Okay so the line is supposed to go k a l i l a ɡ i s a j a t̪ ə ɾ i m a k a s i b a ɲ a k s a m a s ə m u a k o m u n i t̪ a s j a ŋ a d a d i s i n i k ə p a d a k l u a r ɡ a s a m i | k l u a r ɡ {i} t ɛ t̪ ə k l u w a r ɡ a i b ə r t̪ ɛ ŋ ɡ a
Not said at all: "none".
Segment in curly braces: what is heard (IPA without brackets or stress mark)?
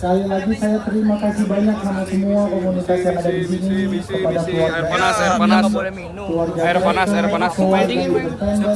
a